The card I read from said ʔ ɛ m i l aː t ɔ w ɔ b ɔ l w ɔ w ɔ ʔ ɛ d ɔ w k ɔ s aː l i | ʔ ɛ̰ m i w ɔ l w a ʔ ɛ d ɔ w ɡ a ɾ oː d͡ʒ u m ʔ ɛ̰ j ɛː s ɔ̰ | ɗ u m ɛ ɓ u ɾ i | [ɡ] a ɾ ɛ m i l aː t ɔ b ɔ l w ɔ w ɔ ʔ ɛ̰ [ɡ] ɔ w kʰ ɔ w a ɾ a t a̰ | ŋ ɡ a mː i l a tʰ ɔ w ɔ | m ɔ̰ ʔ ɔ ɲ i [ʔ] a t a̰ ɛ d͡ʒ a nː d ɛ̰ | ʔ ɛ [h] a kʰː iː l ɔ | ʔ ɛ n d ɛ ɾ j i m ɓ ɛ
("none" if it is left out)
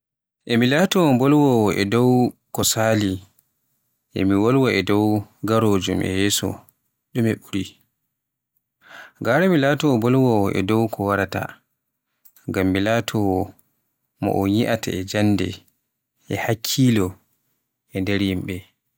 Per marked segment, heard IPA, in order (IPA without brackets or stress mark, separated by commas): ɡ, d, ʔ, h